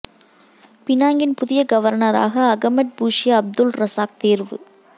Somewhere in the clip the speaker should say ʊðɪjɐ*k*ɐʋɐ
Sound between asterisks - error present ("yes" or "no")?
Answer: yes